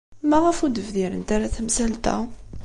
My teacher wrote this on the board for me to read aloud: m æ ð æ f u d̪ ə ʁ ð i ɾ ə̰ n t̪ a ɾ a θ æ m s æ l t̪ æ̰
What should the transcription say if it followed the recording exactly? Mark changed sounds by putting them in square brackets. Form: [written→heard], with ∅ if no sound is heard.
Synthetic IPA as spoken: m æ [ð→ʁ] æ f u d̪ ə [ʁ→v] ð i ɾ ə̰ n t̪ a ɾ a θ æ m s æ l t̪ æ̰

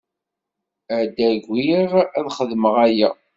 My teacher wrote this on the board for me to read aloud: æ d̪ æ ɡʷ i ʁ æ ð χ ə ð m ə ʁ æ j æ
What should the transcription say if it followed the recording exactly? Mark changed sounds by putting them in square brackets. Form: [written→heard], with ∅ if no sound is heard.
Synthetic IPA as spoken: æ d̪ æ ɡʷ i ʁ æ ð χ ə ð m ə ʁ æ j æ

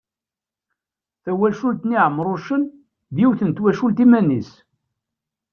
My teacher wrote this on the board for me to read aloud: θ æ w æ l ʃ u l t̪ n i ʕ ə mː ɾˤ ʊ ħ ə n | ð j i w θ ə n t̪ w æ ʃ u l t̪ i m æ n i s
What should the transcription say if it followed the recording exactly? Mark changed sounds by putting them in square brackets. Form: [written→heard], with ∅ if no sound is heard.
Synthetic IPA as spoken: θ æ w æ l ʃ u l t̪ n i ʕ ə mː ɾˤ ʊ [ħ→ʃ] ə n | ð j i w θ ə n t̪ w æ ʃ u l t̪ i m æ n i s

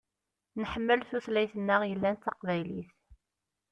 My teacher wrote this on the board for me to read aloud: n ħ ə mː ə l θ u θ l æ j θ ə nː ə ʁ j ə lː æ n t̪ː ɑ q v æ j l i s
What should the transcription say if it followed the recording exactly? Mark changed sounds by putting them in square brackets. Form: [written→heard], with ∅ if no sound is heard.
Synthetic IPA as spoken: n ħ ə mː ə l θ u θ l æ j θ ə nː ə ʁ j ə lː æ n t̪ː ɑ q v æ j l i [s→θ]

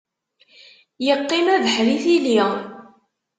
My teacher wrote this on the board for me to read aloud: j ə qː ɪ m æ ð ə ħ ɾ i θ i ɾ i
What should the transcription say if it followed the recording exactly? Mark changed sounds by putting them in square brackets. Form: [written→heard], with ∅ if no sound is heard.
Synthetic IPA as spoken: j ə qː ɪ m æ ð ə ħ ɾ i θ i [ɾ→l] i

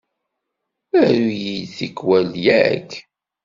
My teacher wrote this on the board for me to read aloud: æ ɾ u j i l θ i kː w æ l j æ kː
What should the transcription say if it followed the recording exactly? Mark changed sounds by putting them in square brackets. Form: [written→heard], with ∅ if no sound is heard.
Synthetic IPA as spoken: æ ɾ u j i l θ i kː w æ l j æ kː

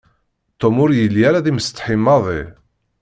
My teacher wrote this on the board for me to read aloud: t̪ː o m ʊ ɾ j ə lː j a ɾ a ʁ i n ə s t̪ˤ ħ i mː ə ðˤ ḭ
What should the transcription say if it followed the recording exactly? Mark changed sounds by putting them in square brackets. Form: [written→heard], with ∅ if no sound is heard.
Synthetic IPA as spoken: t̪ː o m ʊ ɾ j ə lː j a ɾ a [ʁ→ð] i [n→m] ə s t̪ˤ ħ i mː [ə→ɑ] ðˤ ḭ

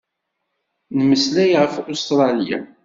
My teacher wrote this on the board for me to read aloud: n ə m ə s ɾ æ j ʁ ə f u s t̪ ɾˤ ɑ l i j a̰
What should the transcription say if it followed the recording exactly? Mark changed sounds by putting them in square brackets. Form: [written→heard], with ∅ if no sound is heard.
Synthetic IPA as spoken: n ə m ə s [ɾ→l] æ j ʁ ə f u s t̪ ɾˤ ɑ l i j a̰

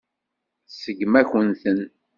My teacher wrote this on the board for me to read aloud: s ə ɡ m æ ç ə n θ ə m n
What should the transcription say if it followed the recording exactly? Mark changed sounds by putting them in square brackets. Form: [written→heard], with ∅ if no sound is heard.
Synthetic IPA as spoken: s ə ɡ m æ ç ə n θ ə [m→∅] n

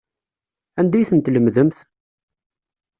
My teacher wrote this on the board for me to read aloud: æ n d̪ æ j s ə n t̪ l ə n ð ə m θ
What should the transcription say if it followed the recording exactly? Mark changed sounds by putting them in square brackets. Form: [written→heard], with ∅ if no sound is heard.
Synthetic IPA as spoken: æ n d̪ æ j [s→θ] ə n t̪ l ə [n→m] ð ə m θ

